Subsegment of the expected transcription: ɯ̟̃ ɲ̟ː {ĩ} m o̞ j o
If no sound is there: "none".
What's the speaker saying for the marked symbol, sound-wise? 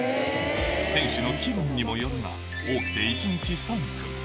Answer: i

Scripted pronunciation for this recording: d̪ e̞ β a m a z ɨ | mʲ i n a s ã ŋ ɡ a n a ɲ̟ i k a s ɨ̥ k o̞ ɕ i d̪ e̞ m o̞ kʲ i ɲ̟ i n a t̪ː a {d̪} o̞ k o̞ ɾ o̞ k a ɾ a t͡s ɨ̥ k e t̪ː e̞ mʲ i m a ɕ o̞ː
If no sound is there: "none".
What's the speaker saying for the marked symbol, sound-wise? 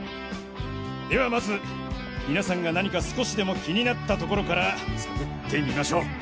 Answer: t̪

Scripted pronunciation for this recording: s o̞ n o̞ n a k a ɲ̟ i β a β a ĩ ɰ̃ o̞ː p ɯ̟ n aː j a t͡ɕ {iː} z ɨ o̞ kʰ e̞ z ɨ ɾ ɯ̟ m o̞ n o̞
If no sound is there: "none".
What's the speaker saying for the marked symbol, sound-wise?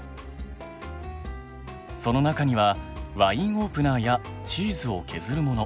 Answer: iː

